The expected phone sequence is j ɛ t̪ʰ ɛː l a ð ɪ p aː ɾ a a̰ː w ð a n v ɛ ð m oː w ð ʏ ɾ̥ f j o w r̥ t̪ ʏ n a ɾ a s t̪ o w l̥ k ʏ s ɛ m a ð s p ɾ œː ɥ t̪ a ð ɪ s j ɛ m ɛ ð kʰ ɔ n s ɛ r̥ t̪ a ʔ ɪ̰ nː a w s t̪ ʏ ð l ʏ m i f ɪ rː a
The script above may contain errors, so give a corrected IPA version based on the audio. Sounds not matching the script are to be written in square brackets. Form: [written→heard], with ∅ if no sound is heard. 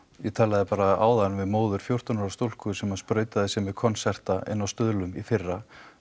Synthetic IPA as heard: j ɛ t̪ʰ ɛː l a ð ɪ p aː ɾ a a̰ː w ð a n v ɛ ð m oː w ð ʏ ɾ̥ f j o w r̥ t̪ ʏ n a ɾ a s t̪ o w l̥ k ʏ s ɛ m a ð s p ɾ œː ɥ t̪ a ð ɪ s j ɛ m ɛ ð kʰ ɔ n s ɛ r̥ t̪ a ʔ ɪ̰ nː a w s t̪ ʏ ð l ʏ m i f ɪ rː a